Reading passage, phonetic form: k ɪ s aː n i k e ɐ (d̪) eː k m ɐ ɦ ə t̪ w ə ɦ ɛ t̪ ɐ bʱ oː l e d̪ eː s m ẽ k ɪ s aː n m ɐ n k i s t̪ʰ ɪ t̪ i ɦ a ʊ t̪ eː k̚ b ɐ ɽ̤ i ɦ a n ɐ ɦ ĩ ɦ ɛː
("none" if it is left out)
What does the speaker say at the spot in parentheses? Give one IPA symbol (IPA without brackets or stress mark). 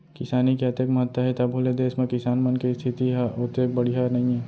t̪